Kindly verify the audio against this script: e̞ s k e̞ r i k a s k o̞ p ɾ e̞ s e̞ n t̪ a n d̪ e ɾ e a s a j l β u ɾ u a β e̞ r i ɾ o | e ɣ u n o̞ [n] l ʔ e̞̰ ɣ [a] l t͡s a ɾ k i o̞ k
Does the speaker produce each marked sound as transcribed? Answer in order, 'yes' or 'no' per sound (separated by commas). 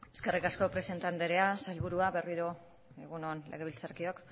yes, no